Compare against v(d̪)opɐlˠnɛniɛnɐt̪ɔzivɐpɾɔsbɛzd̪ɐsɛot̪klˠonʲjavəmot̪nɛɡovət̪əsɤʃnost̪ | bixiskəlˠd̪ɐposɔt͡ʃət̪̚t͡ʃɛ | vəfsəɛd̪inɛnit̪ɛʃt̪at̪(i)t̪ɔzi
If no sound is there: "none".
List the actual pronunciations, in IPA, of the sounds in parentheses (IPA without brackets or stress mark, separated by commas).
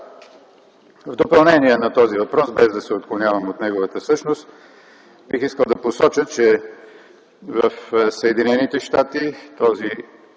d̪, i